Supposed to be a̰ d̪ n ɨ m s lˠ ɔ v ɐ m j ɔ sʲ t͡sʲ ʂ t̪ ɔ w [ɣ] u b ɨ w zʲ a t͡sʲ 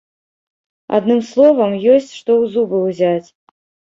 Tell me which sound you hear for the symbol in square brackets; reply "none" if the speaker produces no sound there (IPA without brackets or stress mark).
z